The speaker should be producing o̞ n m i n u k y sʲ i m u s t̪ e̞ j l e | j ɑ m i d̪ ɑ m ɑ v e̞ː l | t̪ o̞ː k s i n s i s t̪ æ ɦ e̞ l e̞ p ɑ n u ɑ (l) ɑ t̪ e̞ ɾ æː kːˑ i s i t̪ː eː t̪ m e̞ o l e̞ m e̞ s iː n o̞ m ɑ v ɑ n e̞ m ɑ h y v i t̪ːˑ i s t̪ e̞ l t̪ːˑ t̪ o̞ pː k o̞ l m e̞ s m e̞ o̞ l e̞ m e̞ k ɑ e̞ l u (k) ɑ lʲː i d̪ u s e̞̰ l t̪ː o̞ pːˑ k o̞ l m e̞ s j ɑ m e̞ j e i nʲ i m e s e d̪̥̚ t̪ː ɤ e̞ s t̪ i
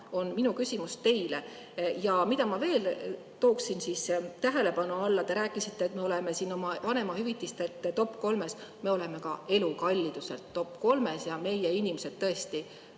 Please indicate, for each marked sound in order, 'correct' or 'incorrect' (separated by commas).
incorrect, correct